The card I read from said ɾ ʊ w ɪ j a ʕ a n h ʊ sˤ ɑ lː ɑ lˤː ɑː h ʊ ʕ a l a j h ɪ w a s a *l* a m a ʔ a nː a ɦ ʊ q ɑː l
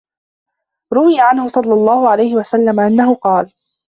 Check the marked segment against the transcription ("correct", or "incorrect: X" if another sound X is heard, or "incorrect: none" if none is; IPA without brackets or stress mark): incorrect: lː